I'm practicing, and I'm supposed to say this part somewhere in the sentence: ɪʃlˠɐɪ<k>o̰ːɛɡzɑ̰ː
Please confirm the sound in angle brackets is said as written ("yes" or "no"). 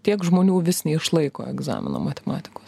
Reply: yes